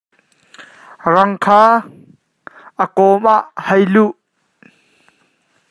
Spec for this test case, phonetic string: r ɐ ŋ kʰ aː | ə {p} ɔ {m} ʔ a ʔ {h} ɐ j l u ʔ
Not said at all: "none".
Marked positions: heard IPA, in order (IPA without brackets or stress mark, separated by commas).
k, m, h